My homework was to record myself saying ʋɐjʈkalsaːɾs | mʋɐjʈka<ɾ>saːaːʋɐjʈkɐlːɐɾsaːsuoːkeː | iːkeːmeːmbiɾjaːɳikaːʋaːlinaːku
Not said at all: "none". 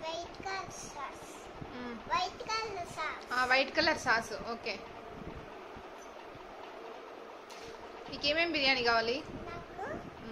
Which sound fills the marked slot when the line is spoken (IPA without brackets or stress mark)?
l